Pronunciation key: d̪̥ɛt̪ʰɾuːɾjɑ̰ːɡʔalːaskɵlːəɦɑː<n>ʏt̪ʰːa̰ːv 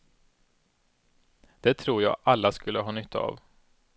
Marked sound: correct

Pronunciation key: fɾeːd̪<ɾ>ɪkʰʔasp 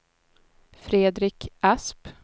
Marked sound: correct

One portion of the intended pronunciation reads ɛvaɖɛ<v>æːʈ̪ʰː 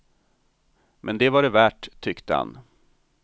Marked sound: correct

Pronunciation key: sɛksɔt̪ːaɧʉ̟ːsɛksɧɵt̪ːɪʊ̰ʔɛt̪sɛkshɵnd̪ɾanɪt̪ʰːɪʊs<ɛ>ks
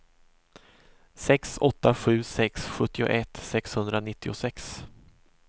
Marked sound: correct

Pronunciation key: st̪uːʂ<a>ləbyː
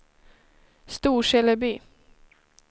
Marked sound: incorrect: ɛ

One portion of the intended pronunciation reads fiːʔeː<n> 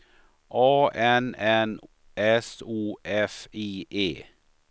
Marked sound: incorrect: none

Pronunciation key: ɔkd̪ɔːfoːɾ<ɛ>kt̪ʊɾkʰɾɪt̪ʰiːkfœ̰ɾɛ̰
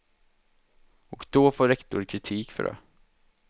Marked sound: correct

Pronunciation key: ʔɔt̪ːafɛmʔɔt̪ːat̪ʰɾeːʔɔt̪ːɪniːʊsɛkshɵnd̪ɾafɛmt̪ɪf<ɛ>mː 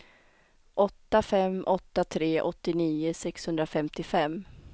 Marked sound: correct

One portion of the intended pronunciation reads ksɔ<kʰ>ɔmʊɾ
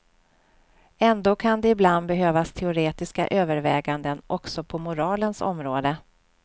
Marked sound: incorrect: pʰ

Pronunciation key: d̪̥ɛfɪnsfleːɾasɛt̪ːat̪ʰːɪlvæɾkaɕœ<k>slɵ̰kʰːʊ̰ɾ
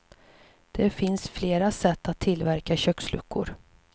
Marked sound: correct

